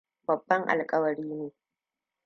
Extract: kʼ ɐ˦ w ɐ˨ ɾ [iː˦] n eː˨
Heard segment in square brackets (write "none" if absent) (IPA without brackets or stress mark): iː˦